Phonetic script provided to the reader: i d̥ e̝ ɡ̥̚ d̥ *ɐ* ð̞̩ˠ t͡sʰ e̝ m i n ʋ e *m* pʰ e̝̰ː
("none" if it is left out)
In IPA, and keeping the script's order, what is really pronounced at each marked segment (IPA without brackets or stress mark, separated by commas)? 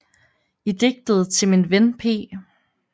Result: ə, n